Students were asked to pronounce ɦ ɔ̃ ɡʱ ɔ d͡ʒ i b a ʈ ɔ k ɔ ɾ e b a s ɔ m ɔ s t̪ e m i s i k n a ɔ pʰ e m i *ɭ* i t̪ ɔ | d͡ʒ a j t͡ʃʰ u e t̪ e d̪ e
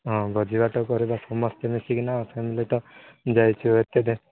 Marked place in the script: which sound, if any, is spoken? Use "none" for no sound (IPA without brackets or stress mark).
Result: l